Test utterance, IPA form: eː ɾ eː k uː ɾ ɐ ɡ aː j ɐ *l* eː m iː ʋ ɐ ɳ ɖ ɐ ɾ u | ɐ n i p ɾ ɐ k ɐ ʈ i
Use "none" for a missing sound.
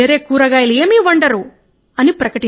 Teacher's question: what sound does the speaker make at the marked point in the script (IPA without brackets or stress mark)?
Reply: l